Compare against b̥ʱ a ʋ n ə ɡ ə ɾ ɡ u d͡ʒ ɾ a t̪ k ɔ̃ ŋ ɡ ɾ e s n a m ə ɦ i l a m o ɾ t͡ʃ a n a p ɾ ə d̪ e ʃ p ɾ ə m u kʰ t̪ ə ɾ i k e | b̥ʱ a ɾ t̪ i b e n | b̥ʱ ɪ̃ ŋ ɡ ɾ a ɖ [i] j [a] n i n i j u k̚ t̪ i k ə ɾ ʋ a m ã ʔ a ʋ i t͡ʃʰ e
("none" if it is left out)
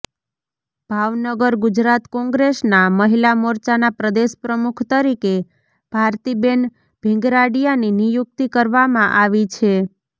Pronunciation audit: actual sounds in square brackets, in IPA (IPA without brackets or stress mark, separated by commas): i, a